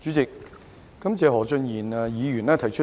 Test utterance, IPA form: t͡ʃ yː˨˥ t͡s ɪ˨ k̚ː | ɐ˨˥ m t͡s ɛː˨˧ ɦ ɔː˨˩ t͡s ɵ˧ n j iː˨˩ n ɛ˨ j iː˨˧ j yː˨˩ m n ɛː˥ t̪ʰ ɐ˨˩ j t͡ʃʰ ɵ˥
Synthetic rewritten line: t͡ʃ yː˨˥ t͡s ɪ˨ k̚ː | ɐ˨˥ m t͡s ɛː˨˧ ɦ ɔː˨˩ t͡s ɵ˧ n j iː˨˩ n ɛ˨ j iː˨˧ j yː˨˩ n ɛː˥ t̪ʰ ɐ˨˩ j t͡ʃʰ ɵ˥